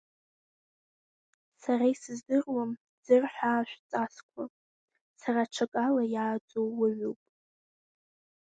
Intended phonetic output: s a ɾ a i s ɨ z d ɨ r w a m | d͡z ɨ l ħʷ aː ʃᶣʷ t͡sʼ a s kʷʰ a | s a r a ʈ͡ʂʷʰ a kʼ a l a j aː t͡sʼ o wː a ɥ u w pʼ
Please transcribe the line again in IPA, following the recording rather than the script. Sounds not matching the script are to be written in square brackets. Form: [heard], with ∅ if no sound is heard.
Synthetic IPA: s a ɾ a i s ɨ z d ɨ r w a m | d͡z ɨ [r] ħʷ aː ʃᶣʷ t͡sʼ a s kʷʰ a | s a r a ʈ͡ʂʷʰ a kʼ a l a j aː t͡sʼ o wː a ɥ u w pʼ